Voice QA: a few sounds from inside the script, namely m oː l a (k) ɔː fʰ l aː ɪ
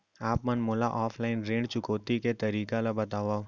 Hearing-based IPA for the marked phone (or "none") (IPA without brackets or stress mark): ʔ